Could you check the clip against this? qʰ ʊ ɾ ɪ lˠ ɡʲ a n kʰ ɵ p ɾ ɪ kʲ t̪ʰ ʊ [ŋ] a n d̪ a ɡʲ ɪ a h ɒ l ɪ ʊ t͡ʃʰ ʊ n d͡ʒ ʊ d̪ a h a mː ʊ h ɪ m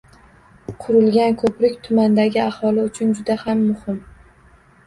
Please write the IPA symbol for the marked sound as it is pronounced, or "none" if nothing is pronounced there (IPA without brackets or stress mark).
m